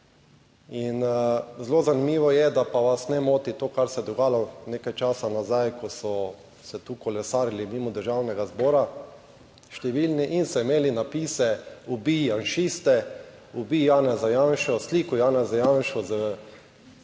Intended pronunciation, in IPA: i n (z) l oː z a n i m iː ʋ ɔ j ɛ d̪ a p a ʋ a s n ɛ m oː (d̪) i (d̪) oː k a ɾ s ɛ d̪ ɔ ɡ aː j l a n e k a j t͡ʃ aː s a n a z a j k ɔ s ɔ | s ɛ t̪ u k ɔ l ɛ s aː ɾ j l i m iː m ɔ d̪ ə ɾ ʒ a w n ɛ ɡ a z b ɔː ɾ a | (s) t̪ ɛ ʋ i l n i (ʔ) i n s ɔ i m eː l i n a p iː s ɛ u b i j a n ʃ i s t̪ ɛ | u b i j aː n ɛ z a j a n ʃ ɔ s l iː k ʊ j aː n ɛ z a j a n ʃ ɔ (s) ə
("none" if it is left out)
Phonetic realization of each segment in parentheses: z, t̪, t̪, ʃ, ʔ, z

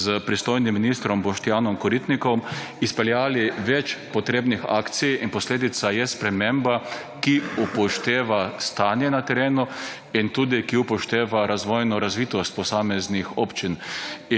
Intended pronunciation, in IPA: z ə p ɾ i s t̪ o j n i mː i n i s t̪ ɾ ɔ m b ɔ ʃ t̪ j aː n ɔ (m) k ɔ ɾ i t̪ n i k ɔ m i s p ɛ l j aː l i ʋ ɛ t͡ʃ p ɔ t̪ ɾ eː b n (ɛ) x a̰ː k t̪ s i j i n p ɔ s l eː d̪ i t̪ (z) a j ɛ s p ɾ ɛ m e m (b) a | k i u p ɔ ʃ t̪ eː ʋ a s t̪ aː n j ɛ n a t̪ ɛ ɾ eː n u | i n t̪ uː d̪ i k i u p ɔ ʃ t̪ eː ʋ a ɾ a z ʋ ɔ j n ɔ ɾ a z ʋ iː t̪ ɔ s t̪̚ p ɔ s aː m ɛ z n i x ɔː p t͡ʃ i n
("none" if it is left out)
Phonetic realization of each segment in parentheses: m, i, s, b

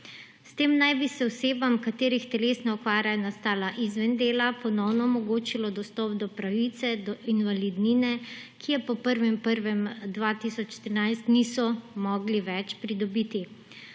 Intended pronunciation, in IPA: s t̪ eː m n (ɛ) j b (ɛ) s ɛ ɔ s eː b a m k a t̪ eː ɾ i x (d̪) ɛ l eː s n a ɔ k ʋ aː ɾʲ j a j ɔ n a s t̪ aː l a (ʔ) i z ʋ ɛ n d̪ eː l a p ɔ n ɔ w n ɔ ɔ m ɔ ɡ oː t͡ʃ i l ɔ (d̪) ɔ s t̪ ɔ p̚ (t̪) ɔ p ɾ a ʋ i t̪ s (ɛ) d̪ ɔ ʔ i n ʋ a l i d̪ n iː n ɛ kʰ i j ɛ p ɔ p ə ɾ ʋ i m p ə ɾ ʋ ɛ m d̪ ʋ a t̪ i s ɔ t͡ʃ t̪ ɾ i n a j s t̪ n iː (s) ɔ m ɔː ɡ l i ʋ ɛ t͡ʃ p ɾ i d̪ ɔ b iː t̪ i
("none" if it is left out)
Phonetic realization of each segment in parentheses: a, i, t̪, ʔ, d̪, d̪, ɛ, s

